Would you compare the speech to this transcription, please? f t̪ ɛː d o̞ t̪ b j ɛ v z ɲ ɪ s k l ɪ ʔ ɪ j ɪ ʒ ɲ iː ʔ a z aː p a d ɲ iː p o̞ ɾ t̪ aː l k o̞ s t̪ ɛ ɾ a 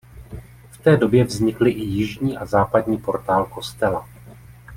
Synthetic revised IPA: f t̪ ɛː d o̞ b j ɛ v z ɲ ɪ k l ɪ ʔ ɪ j ɪ ʒ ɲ iː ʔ a z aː p a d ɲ iː p o̞ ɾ t̪ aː l k o̞ s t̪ ɛ l a